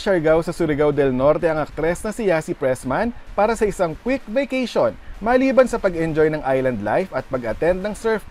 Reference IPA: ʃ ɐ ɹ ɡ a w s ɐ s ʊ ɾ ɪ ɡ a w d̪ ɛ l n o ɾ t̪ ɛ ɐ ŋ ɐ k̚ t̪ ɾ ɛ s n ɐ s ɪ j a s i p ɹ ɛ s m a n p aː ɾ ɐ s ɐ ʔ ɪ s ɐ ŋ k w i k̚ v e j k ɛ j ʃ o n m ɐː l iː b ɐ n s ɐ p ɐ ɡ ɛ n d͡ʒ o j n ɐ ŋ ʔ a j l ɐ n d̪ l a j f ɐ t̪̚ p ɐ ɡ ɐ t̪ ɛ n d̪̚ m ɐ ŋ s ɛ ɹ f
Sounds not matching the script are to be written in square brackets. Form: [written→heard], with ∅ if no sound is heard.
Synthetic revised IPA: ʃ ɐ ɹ ɡ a w s ɐ s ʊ ɾ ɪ ɡ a w d̪ ɛ l n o ɾ t̪ ɛ ɐ ŋ ɐ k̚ t̪ ɾ ɛ s n ɐ s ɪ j a s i p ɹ ɛ s m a n p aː ɾ ɐ s ɐ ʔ ɪ s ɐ ŋ k w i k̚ v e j k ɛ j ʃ o n m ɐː l iː b ɐ n s ɐ p ɐ ɡ ɛ n d͡ʒ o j n ɐ ŋ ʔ a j l ɐ n d̪ l a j f ɐ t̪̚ p ɐ ɡ ɐ t̪ ɛ n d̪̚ [m→n] ɐ ŋ s ɛ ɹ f